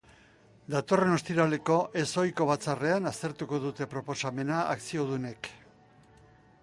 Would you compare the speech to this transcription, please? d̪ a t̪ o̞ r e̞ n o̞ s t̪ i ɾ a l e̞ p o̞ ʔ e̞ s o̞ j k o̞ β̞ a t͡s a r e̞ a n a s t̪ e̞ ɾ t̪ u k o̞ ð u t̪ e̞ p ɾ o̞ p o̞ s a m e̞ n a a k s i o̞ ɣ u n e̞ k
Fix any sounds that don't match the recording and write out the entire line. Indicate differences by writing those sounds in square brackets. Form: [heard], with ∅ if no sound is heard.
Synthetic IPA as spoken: d̪ a t̪ o̞ r e̞ n o̞ s t̪ i ɾ a l e̞ [k] o̞ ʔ e̞ s o̞ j k o̞ β̞ a t͡s a r e̞ a n a s t̪ e̞ ɾ t̪ u k o̞ ð u t̪ e̞ p ɾ o̞ p o̞ s a m e̞ n a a k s i o̞ [ð] u n e̞ k